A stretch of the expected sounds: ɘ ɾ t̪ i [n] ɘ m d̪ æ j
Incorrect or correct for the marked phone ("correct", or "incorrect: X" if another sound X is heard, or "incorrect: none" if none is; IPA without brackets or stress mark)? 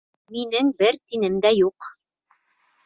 correct